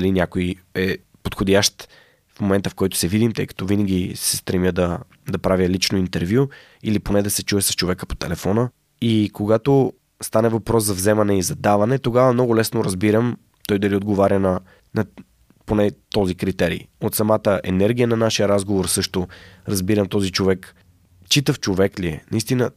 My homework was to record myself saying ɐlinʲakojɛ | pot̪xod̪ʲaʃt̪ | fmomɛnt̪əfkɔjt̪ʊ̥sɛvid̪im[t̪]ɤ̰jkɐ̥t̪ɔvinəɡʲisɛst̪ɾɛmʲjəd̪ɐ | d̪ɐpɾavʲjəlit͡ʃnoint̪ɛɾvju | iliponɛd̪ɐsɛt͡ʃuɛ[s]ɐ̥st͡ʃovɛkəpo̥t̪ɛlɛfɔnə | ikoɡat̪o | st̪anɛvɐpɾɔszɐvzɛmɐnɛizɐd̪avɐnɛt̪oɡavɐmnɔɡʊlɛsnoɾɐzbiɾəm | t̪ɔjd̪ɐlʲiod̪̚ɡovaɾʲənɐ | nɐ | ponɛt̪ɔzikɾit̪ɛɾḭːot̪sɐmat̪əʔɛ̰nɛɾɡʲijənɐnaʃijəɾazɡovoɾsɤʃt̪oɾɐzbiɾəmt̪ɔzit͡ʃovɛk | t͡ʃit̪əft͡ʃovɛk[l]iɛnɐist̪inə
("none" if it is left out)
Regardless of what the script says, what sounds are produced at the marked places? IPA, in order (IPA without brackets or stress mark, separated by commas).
t̪, s, l